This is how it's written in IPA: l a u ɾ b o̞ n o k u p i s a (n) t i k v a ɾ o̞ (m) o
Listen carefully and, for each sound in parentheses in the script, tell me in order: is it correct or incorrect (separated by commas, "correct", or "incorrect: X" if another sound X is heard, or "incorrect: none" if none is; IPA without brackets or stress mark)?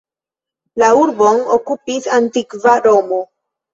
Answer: correct, correct